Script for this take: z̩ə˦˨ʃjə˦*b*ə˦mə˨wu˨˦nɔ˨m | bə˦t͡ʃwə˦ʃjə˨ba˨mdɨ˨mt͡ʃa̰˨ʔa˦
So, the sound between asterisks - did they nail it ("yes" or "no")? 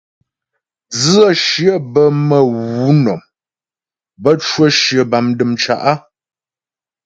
yes